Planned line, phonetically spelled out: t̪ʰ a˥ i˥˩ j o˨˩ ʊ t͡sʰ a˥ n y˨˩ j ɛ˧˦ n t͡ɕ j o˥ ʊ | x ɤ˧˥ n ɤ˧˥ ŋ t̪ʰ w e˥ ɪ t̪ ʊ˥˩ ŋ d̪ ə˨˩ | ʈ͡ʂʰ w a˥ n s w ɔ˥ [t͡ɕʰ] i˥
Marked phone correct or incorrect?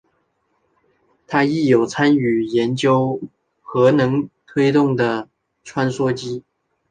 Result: incorrect